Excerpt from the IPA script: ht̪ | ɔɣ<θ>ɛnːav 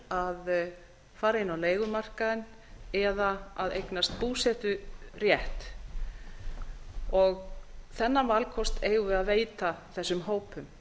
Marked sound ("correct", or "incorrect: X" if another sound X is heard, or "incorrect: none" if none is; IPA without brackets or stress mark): correct